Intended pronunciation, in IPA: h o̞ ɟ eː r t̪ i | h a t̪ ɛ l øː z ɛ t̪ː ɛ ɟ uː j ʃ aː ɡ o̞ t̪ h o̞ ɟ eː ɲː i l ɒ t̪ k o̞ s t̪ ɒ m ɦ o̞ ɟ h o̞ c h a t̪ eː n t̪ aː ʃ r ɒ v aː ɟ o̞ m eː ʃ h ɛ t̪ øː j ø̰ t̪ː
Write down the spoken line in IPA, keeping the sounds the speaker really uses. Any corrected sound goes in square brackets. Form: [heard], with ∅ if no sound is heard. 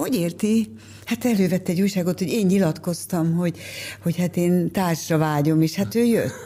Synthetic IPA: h o̞ ɟ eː r t̪ i | h a t̪ ɛ l øː [v] ɛ t̪ː ɛ ɟ uː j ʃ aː ɡ o̞ t̪ h o̞ ɟ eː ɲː i l ɒ t̪ k o̞ s t̪ ɒ m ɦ o̞ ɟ h o̞ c h a t̪ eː n t̪ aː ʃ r ɒ v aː ɟ o̞ m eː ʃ h [a] t̪ øː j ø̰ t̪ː